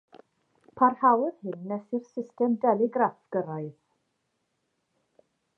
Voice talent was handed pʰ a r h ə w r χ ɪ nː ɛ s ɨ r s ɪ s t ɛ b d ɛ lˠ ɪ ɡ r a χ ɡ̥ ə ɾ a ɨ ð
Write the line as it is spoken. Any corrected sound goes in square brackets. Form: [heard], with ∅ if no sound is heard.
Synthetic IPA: pʰ a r h [a] w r [h] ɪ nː ɛ s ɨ r s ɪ s t ɛ [m] d ɛ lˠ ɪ ɡ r a [f] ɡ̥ ə ɾ a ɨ ð